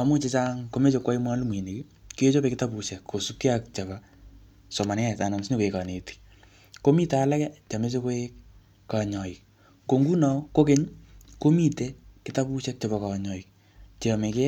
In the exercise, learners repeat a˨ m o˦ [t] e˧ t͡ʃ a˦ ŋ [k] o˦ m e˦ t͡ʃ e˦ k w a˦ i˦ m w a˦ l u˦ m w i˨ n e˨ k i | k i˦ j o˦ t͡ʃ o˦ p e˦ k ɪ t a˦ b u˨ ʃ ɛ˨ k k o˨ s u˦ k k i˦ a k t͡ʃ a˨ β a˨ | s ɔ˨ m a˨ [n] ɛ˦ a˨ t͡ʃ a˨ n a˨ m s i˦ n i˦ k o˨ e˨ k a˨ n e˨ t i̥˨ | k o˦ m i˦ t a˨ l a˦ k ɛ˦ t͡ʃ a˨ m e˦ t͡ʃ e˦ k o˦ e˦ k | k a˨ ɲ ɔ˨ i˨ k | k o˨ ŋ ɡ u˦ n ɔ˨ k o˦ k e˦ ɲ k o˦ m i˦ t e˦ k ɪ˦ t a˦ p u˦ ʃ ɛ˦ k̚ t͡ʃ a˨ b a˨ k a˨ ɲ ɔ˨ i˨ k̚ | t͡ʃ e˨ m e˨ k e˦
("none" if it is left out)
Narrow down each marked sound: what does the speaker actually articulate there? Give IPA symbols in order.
t͡ʃ, k, n

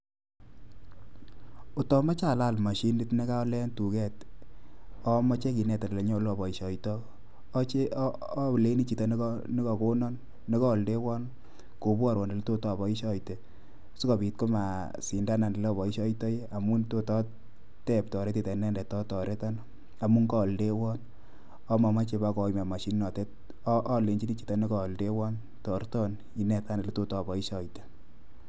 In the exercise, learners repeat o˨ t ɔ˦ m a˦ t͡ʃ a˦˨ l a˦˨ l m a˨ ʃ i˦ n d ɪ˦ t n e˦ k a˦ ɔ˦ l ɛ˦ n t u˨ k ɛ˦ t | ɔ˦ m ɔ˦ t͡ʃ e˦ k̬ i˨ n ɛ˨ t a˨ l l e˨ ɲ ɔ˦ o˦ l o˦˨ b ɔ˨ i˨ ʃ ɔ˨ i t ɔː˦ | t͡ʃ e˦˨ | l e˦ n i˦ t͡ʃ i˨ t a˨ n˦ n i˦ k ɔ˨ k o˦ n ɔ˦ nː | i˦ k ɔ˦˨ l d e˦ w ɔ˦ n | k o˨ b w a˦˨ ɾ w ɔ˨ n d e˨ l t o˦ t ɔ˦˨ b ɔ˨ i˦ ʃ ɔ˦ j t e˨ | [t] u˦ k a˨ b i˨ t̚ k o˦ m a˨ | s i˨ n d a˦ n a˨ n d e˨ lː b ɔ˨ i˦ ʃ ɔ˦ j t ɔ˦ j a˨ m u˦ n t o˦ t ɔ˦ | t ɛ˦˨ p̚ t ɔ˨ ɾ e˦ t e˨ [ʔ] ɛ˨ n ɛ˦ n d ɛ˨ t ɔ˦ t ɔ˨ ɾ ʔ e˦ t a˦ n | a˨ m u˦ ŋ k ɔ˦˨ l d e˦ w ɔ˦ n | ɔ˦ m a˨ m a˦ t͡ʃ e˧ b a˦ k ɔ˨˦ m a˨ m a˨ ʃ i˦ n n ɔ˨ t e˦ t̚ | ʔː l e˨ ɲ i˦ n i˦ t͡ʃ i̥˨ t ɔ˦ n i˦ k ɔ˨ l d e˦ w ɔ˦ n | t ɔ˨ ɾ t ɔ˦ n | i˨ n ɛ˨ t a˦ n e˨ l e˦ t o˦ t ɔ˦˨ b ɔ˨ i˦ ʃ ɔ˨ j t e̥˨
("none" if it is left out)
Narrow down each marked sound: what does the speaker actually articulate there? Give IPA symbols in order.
s, t

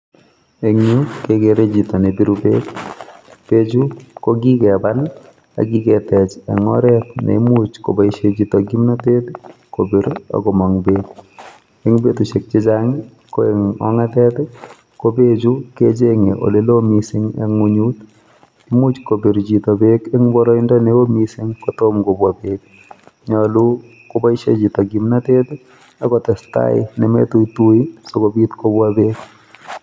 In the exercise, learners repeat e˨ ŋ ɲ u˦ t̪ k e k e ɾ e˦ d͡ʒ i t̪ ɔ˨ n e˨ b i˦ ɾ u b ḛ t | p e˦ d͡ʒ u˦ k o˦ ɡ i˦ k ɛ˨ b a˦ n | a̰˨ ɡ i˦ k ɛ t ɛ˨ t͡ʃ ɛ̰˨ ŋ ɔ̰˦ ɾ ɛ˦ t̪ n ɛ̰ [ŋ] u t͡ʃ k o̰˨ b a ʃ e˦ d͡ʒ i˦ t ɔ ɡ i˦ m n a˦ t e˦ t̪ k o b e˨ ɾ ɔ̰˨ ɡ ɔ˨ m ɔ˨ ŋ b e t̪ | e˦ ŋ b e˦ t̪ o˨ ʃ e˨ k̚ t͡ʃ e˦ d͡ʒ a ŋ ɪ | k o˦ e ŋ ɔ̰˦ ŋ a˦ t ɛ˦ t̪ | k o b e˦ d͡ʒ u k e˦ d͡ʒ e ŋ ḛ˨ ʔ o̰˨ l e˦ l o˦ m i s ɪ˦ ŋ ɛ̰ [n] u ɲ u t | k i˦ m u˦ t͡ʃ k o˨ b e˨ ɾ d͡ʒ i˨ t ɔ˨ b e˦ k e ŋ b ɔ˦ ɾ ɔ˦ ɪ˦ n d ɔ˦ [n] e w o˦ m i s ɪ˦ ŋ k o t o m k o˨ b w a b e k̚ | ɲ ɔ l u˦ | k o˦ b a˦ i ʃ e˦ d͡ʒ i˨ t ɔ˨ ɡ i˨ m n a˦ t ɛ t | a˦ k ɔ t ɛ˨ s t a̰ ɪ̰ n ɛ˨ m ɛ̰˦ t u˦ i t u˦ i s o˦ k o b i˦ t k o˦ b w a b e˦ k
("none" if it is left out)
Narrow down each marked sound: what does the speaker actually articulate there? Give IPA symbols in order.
m, ŋ, n

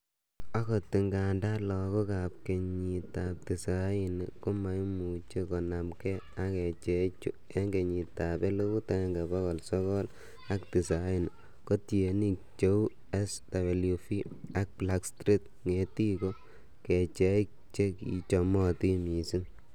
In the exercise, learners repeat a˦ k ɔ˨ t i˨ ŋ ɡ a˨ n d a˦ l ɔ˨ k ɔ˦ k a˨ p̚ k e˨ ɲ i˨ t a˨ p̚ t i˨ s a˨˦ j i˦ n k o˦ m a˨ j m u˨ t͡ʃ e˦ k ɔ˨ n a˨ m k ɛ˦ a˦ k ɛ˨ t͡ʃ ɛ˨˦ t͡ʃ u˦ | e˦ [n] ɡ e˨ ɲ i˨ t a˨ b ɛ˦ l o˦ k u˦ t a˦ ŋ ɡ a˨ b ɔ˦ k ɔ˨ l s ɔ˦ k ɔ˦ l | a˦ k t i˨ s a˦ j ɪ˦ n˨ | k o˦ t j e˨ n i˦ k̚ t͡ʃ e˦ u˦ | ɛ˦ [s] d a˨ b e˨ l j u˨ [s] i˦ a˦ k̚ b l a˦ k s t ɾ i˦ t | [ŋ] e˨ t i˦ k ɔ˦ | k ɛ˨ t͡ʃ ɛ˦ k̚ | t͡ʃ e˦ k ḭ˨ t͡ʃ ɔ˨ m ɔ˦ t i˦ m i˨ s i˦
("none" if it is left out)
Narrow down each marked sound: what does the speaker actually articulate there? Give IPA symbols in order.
ŋ, s, f, ŋ

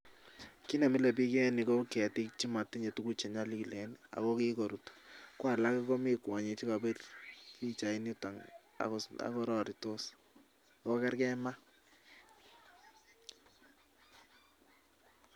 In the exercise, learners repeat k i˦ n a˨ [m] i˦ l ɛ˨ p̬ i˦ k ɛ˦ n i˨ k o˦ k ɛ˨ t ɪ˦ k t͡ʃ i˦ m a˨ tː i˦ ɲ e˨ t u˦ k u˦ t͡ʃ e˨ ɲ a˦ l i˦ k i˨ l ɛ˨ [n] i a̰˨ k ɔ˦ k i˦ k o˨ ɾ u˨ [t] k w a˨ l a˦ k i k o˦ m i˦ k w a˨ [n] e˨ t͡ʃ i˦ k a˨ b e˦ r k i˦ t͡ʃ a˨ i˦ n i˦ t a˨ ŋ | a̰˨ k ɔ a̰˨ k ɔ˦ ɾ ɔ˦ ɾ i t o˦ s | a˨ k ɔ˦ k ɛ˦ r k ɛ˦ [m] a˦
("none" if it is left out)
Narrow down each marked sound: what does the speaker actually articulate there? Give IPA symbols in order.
m, n, t, ɲ, m

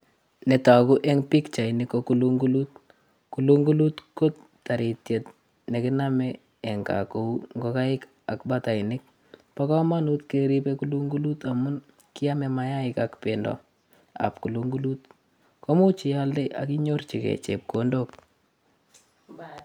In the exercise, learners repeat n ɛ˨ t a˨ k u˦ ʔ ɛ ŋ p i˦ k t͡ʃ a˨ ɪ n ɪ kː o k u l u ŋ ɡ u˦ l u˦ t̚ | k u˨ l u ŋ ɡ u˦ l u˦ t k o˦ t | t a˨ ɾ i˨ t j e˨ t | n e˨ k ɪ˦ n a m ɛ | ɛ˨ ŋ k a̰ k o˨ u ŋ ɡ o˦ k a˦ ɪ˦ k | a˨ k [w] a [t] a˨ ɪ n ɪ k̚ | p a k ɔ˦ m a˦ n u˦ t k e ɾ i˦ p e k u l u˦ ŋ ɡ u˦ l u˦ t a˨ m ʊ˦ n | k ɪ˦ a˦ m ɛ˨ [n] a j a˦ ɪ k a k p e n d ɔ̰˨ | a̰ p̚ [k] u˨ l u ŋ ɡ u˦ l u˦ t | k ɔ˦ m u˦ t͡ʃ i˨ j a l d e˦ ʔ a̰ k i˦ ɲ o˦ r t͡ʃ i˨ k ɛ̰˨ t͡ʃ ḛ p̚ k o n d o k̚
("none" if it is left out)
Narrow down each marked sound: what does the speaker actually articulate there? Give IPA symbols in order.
b, t, m, k

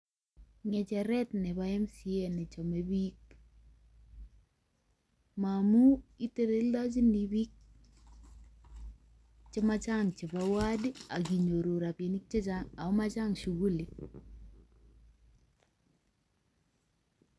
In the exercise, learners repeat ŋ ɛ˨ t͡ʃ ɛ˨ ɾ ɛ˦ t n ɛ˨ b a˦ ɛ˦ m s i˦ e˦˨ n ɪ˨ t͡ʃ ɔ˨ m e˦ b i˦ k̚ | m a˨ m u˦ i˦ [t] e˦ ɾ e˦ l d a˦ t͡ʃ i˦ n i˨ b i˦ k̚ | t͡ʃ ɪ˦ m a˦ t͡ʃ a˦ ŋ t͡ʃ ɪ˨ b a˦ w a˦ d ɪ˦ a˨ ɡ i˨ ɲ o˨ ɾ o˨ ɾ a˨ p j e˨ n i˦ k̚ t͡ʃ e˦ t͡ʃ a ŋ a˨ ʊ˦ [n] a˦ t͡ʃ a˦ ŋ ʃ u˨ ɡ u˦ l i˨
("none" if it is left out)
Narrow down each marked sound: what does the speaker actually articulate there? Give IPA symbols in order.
t, m

